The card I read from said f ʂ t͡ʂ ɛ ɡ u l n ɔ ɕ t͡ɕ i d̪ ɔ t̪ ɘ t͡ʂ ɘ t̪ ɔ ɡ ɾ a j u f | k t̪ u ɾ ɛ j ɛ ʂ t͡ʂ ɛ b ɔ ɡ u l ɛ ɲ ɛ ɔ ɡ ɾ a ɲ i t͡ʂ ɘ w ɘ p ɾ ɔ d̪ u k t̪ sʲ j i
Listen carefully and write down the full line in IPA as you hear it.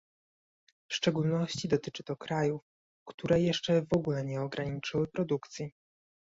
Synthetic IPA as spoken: f ʂ t͡ʂ ɛ ɡ u l n ɔ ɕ t͡ɕ i d̪ ɔ t̪ ɘ t͡ʂ ɘ t̪ ɔ k ɾ a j u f | k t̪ u ɾ ɛ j ɛ ʂ t͡ʂ ɛ v ɔ ɡ u l ɛ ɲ ɛ ɔ ɡ ɾ a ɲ i t͡ʂ ɘ w ɘ p ɾ ɔ d̪ u k t̪ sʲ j i